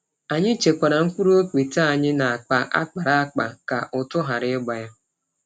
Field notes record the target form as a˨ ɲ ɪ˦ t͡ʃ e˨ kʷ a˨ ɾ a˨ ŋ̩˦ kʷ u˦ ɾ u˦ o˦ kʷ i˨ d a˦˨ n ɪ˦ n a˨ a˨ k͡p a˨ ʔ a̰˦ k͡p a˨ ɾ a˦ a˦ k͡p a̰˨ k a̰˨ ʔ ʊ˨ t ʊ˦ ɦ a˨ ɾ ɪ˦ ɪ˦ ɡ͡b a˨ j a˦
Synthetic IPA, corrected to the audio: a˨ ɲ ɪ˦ t͡ʃ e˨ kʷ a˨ ɾ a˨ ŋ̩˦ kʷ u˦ ɾ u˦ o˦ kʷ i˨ t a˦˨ ɲ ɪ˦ n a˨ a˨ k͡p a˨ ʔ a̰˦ k͡p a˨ ɾ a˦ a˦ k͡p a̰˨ k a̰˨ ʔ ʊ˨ t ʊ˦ ɦ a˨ ɾ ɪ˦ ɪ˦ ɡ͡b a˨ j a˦